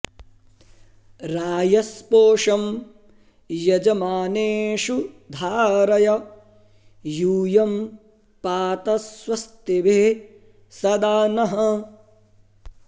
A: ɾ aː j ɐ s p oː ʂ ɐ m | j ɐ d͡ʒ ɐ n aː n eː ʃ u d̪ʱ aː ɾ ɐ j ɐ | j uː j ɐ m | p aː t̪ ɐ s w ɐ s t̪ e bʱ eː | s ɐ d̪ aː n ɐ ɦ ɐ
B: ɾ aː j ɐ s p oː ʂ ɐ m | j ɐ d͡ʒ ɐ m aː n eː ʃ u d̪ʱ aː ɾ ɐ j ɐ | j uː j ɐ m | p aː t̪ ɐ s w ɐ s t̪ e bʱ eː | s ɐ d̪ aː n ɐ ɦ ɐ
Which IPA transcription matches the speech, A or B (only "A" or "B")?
B